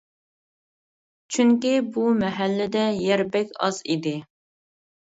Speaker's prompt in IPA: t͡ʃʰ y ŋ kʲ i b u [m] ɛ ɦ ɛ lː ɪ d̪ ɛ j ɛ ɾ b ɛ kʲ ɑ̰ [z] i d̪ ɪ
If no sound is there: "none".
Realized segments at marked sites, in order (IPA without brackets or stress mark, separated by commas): m, z